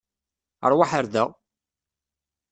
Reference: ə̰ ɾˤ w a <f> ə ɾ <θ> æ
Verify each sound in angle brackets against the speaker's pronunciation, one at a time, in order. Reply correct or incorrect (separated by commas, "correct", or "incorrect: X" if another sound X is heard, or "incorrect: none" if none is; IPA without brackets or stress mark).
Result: incorrect: ħ, incorrect: ð